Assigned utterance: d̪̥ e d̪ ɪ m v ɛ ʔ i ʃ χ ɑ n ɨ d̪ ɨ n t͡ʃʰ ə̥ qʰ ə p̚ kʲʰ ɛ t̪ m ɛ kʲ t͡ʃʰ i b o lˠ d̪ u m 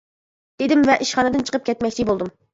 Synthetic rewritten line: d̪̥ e d̪ ɪ m v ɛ ʔ i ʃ χ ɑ n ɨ d̪ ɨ n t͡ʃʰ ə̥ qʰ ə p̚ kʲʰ ɛ t̪ m ɛ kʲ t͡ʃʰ i b o lˠ d̪ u m